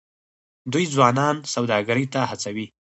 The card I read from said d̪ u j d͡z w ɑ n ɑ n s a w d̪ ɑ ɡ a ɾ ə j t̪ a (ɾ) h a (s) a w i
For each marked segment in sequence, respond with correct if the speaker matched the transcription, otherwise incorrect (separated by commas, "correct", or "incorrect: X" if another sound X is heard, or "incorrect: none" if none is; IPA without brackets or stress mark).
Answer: incorrect: none, incorrect: t͡s